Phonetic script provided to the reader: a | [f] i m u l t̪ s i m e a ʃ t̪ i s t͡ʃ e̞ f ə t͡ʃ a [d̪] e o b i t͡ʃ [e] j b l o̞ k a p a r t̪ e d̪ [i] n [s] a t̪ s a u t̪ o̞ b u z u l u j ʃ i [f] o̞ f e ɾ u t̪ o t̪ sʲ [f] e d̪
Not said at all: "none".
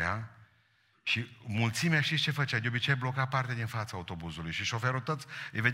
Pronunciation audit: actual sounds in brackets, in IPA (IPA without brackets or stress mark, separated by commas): ʃ, d̪, e, i, f, ʃ, v